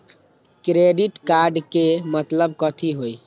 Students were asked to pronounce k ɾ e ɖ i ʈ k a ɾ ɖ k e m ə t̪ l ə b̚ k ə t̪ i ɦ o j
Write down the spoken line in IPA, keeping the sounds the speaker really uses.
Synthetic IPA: k ɾ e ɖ i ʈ k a ɾ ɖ k e m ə t̪ l ə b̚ k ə t̪ʰ i ɦ o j